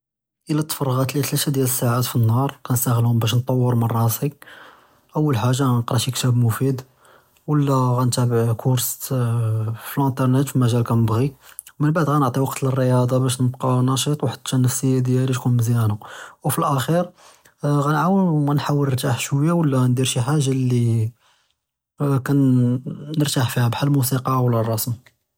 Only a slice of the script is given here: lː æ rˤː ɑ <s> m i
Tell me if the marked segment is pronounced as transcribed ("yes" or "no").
yes